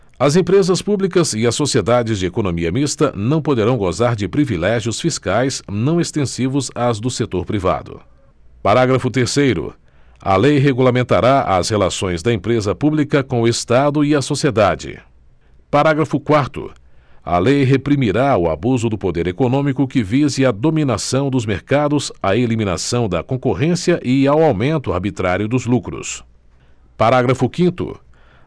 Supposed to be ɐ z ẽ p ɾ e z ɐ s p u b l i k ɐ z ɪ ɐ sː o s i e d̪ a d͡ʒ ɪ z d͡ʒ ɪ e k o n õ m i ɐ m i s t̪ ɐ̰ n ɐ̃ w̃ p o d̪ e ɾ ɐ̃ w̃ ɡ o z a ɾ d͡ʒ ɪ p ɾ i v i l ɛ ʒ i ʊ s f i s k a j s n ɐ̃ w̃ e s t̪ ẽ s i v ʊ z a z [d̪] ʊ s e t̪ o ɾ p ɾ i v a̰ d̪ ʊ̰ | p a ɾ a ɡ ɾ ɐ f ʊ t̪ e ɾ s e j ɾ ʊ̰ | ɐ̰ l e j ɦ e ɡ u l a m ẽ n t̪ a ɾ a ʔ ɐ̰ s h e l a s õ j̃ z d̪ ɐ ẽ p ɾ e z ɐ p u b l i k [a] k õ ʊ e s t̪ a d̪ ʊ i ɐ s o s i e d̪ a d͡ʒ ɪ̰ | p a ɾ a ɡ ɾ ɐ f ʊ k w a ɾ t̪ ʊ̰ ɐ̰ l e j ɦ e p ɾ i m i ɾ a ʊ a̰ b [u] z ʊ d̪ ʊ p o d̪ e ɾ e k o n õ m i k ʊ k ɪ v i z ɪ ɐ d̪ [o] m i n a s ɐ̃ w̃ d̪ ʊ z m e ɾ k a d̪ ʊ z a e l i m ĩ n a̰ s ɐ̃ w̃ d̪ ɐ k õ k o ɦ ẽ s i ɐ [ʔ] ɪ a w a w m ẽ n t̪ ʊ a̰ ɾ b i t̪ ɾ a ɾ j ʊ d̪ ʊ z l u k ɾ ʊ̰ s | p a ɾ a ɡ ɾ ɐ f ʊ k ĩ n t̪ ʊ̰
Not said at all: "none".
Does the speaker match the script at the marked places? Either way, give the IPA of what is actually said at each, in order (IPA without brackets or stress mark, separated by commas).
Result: d̪, ɐ, u, o, ʔ